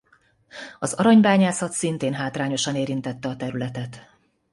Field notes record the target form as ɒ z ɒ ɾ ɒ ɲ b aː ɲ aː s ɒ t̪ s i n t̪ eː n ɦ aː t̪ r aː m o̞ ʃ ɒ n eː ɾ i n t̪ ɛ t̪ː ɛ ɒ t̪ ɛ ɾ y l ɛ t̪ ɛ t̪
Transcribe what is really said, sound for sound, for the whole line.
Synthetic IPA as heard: ɒ z ɒ ɾ ɒ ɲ b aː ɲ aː s ɒ t̪ s i n t̪ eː n ɦ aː t̪ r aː ɲ o̞ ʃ ɒ n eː ɾ i n t̪ ɛ t̪ː ɛ ɒ t̪ ɛ ɾ y l ɛ t̪ ɛ t̪